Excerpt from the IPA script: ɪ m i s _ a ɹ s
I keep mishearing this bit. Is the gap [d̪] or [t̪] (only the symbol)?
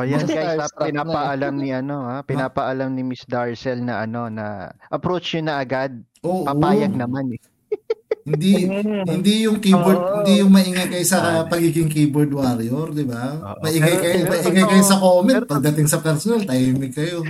d̪